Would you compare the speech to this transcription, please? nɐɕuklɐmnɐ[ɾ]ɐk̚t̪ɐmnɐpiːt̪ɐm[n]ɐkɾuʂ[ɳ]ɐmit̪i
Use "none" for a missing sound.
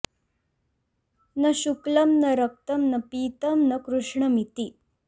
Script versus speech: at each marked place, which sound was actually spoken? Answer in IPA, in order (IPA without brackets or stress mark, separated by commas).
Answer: ɾ, n, ɳ